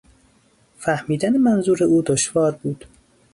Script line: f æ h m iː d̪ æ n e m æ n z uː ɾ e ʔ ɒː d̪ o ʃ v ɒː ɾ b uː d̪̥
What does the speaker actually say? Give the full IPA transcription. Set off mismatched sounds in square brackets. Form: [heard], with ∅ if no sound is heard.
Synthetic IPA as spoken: f æ h m iː d̪ æ n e m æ n z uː ɾ e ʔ [uː] d̪ o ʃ v ɒː ɾ b uː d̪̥